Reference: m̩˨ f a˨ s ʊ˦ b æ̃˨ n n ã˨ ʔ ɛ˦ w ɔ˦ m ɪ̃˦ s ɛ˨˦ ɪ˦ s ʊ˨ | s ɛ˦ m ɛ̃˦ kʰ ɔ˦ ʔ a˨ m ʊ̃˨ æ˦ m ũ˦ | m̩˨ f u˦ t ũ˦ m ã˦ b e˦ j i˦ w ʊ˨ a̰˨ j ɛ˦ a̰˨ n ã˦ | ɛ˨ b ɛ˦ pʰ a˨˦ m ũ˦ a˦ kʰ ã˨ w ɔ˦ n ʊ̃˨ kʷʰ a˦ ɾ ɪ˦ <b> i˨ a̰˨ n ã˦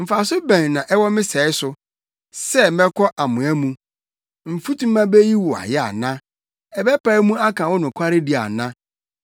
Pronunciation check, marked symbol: incorrect: d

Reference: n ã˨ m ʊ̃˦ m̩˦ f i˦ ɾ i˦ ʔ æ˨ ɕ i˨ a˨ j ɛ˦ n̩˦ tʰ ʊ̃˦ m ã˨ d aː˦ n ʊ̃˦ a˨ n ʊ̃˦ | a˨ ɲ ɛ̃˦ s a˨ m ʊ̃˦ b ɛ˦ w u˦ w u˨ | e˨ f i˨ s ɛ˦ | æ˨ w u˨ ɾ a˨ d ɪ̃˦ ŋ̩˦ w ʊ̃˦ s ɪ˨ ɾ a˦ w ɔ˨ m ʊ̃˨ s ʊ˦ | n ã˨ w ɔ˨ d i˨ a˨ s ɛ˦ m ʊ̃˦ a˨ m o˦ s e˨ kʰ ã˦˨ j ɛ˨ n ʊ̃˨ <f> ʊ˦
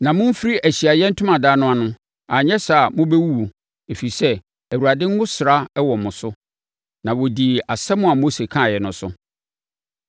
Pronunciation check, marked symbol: incorrect: s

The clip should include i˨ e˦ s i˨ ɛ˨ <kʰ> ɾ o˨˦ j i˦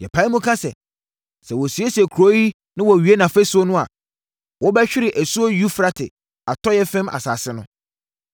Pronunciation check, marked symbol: correct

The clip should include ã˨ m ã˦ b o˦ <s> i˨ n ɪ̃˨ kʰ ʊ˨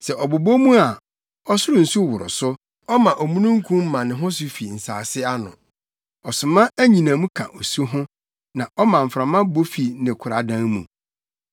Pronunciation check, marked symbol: incorrect: f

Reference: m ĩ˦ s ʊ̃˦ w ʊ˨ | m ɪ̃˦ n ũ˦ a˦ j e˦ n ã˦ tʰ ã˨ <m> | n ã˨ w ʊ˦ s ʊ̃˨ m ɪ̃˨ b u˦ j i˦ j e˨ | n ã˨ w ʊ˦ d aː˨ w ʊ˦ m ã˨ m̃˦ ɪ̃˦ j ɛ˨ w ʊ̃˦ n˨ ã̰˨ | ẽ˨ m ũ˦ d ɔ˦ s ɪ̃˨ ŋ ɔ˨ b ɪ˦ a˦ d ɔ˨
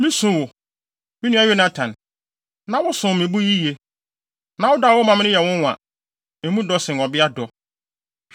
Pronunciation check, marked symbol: incorrect: n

